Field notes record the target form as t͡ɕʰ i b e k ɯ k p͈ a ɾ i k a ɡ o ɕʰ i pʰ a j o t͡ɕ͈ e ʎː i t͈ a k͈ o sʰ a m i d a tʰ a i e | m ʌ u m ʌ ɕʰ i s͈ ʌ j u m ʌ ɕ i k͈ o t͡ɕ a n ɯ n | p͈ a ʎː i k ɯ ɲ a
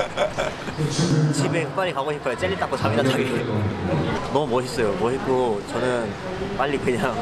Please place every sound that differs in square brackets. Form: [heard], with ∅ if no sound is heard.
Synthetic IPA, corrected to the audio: t͡ɕʰ i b e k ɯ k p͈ a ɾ i k a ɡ o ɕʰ i pʰ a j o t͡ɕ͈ e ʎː i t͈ a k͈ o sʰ a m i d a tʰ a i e | [n] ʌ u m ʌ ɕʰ i s͈ ʌ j [o] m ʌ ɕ i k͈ o t͡ɕ [ʌ] n ɯ n | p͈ a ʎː i k ɯ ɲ a